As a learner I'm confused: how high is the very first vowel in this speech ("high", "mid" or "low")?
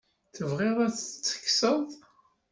mid